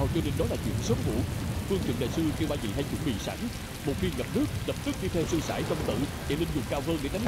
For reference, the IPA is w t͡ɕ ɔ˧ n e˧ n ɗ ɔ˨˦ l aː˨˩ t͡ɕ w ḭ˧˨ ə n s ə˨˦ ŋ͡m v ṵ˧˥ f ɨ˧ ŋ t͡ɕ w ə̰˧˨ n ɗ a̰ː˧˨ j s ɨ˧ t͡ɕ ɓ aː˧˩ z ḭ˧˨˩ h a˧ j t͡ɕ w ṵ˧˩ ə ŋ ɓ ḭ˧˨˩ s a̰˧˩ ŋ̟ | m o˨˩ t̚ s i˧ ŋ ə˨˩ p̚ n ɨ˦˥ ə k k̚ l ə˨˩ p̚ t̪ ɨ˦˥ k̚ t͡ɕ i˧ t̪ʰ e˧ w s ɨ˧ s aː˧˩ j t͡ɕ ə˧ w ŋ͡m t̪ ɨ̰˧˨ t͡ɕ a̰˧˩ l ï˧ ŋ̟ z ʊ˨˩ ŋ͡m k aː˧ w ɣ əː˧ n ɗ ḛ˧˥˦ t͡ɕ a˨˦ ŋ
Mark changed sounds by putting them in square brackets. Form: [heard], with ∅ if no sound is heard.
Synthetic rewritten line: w t͡ɕ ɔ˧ n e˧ n ɗ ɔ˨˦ l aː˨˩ t͡ɕ w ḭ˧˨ ə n s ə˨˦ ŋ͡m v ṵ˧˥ f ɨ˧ ŋ t͡ɕ w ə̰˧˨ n ɗ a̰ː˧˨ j s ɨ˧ t͡ɕ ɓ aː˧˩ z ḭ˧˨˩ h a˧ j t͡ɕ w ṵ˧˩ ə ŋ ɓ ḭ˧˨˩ s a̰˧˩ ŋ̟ | m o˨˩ t̚ [x] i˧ ŋ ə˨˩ p̚ n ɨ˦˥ ə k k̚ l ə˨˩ p̚ t̪ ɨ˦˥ k̚ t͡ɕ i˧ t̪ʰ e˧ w s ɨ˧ s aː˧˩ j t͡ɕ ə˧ w ŋ͡m t̪ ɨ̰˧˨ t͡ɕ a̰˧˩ l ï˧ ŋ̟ z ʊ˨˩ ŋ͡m k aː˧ w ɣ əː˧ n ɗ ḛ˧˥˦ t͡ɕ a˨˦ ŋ